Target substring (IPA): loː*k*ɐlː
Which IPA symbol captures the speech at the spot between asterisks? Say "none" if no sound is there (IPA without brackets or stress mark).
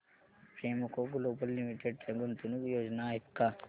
p